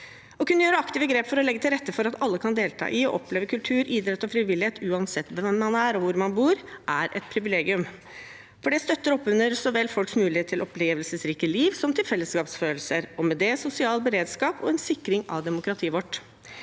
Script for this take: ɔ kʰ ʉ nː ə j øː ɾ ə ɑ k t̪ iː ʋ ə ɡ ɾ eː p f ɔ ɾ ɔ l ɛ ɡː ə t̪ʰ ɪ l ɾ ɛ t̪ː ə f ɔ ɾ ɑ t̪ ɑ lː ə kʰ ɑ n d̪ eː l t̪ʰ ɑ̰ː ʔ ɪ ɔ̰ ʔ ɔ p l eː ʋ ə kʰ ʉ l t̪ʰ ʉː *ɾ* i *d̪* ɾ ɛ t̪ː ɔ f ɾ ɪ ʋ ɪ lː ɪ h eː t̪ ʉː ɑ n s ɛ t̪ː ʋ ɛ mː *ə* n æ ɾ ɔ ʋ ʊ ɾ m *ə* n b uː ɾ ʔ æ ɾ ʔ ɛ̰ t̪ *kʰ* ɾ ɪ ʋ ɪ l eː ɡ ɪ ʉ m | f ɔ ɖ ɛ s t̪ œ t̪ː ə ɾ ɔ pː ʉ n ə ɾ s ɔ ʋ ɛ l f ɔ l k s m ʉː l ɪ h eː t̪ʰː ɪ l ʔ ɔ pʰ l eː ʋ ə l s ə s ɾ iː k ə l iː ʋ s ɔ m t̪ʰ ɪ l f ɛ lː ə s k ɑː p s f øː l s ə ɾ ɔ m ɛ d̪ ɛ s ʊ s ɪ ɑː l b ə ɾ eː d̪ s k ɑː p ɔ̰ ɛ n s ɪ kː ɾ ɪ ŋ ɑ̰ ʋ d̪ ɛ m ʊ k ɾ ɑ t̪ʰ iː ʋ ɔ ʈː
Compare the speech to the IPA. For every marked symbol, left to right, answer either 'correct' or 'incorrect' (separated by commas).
correct, correct, incorrect, incorrect, incorrect